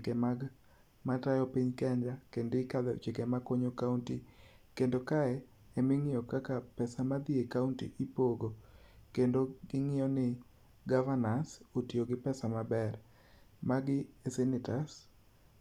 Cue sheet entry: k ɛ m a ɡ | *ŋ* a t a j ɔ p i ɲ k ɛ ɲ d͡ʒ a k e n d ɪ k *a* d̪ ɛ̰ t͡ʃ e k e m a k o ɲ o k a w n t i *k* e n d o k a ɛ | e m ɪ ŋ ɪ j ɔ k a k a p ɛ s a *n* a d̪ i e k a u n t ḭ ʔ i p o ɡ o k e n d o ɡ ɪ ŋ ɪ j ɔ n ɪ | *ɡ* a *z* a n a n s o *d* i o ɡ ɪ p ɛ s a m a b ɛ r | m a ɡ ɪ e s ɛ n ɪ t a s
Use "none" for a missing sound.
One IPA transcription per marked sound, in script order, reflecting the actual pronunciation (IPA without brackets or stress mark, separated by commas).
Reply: m, a, k, m, ɡ, v, t